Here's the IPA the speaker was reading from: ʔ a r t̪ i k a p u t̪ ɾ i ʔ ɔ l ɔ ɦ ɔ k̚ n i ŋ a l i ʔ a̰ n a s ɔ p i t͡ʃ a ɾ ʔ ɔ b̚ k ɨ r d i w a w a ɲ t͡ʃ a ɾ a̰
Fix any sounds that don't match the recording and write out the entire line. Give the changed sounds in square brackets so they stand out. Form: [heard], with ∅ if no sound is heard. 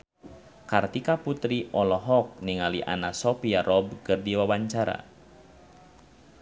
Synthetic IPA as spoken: [k] a r t̪ i k a p u t̪ ɾ i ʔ ɔ l ɔ ɦ ɔ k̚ n i ŋ a l i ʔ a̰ n a s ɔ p i [∅] a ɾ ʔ ɔ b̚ k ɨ r d i w a w a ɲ t͡ʃ a ɾ a̰